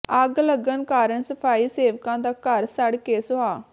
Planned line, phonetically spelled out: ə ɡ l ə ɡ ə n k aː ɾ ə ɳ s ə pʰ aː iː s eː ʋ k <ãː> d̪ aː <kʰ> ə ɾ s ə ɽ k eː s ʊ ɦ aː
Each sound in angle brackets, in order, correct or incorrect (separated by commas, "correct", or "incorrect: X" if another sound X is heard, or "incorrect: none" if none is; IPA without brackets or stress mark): correct, incorrect: k